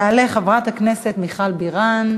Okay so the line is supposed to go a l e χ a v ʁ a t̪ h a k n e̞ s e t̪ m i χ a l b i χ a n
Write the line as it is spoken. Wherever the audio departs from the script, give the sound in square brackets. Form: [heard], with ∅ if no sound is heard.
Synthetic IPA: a l e χ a v ʁ a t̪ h a k n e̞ s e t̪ m i χ a l b i [ʁ] a n